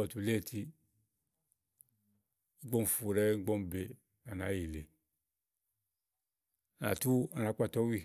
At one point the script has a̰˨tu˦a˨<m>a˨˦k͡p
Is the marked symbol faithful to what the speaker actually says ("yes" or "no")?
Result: no